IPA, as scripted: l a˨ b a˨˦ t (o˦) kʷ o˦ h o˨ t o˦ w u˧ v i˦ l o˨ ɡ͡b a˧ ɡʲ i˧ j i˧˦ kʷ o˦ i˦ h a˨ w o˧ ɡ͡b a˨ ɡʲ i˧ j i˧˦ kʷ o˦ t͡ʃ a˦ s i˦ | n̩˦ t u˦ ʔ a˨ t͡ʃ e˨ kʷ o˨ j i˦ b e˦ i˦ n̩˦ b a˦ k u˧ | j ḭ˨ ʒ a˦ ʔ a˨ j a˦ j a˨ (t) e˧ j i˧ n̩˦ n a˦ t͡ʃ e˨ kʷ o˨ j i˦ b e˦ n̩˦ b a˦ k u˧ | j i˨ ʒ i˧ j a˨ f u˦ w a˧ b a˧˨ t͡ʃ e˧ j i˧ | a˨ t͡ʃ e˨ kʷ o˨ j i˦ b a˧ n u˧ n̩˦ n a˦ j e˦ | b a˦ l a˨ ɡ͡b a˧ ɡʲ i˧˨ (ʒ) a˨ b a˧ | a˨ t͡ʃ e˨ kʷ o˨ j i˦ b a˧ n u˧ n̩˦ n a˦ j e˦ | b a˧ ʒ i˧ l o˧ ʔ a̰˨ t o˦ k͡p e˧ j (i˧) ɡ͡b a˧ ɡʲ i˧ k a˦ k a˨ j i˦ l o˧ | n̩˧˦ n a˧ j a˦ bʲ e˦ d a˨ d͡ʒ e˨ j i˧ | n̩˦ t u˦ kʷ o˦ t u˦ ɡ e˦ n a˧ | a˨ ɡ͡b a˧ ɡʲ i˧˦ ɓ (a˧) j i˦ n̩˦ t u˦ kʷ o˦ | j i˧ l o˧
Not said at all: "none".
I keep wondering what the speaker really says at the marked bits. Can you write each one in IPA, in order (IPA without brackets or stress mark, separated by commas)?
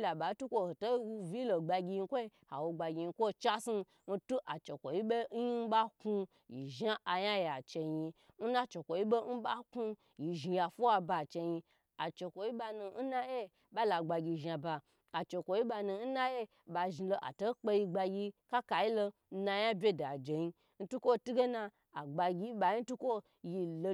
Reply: u˦, t͡ʃ, ʒ, i˧, a˧